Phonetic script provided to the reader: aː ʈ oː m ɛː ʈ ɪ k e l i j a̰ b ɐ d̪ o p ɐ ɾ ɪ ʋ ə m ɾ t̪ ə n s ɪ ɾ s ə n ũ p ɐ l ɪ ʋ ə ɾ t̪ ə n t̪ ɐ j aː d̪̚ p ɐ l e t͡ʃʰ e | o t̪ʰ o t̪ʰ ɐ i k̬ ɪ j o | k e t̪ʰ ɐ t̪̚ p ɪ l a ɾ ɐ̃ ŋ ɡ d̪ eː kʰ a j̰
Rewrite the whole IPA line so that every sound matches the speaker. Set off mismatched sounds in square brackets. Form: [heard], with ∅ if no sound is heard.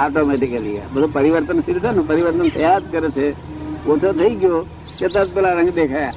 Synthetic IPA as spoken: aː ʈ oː m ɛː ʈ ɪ k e l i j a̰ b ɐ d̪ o p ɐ ɾ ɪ ʋ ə [∅] ɾ t̪ ə n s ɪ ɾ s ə n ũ p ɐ [ɾ] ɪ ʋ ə ɾ t̪ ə n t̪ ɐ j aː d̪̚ [k] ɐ [ɾ] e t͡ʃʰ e | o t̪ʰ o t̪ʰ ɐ i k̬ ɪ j o | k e [t̪] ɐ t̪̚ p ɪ l a ɾ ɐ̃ ŋ ɡ d̪ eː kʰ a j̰